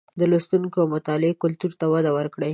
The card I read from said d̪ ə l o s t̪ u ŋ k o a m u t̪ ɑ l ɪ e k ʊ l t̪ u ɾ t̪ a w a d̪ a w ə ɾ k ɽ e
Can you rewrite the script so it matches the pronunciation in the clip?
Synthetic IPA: d̪ ə l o s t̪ u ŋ k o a m ʊ t̪ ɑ l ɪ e k ʊ l t̪ u ɾ t̪ a w a d̪ a w ə ɾ k ɽ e